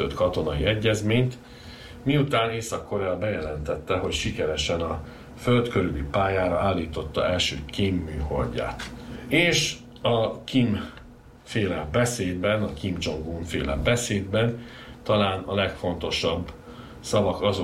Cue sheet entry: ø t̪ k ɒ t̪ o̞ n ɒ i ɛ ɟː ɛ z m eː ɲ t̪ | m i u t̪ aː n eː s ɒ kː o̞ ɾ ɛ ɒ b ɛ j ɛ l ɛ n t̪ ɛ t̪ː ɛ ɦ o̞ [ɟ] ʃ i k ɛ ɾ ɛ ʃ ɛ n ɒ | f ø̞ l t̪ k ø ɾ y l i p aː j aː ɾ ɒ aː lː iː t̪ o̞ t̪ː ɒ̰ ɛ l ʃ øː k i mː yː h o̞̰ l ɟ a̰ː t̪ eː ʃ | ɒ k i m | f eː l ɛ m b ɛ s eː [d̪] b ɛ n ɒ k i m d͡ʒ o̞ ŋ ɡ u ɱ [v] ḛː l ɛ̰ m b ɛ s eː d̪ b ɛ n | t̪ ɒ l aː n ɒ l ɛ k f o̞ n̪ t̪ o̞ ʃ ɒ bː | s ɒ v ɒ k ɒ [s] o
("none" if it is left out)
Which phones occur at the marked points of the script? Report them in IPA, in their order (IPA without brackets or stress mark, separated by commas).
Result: c, d̪, f, z